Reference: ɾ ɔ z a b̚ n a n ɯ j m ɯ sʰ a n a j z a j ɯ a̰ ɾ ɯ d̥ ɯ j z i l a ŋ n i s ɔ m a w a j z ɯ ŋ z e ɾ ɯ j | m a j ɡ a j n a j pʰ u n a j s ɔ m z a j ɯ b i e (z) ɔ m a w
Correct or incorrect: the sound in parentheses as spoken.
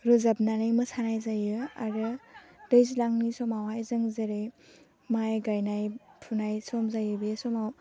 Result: incorrect: s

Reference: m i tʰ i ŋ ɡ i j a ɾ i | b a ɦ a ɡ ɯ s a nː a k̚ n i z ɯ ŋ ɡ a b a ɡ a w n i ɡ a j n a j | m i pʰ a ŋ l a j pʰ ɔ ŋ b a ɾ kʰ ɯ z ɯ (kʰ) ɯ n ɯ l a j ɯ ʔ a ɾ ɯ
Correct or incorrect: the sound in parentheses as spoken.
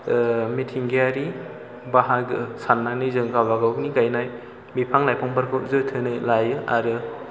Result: incorrect: tʰ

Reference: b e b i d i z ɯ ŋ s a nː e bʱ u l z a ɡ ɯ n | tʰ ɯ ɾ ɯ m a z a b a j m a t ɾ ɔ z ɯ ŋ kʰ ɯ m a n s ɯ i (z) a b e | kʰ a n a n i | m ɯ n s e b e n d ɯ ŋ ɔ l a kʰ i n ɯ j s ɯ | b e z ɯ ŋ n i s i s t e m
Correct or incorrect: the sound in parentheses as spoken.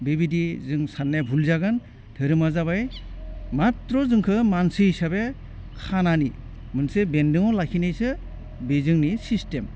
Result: incorrect: s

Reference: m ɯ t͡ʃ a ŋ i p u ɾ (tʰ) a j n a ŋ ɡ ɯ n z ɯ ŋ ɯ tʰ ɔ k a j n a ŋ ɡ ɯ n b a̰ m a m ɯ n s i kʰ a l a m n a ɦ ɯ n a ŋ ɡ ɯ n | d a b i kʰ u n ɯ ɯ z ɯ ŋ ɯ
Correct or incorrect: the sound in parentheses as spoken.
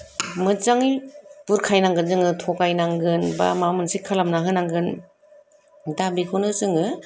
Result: incorrect: kʰ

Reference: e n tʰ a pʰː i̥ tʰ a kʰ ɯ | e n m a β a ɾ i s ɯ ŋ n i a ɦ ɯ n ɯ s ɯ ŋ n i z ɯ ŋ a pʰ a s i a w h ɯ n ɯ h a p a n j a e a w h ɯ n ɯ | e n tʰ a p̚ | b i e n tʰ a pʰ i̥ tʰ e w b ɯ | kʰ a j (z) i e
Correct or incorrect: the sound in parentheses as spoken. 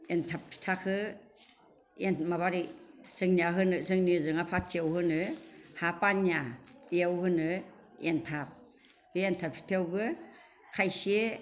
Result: incorrect: s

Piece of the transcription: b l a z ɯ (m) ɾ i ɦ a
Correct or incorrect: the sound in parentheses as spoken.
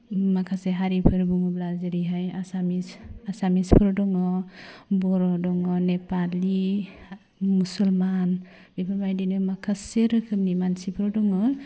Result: incorrect: none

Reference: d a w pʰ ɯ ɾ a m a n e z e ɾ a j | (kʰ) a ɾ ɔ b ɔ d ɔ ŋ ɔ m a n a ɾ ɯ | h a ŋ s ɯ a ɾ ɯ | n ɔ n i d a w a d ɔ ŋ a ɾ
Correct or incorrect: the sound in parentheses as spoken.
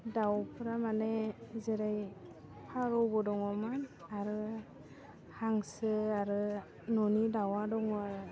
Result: incorrect: pʰ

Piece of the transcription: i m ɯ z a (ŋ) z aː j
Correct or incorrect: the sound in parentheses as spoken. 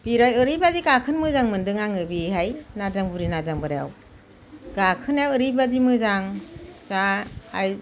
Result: correct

